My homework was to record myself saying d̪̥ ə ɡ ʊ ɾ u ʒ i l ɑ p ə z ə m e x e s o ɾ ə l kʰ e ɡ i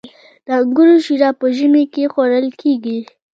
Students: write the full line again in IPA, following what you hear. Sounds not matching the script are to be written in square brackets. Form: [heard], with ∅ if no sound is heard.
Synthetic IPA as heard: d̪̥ ə ɡ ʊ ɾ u [ʃ] i [ɾ] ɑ p ə [ʒ] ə m e [k] e [x] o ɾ ə l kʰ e ɡ i